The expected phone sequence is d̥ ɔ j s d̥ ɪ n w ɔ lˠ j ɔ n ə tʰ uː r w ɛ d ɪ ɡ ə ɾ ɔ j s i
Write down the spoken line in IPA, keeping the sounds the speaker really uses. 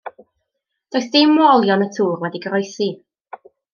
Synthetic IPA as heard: d̥ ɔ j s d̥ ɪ m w ɔ lˠ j ɔ n ə tʰ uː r w ɛ d i ɡ ə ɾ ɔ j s i